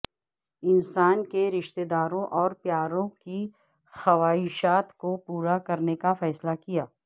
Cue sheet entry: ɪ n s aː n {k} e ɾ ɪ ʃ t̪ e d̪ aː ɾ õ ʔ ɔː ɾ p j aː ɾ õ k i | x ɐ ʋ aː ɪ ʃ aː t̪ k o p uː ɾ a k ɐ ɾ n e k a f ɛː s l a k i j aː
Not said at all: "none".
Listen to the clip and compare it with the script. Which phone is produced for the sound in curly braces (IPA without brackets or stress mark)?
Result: k